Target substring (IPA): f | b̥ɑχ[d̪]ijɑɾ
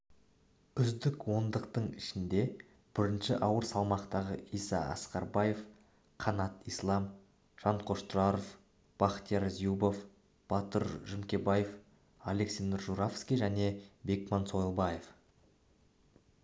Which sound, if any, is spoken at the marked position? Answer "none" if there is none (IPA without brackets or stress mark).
t̪